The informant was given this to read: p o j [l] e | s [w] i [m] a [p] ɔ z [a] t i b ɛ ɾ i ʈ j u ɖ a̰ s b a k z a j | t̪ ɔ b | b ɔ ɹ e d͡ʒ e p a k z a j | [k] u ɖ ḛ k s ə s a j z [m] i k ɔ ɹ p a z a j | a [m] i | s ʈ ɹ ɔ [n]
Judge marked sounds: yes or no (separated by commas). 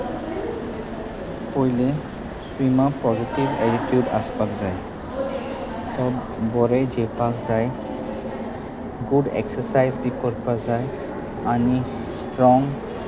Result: yes, yes, yes, yes, no, no, no, no, no